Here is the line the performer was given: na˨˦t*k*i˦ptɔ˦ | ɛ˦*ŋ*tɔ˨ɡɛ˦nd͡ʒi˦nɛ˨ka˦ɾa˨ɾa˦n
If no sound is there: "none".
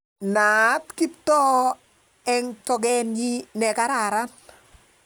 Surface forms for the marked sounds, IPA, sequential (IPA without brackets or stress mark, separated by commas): k, ŋ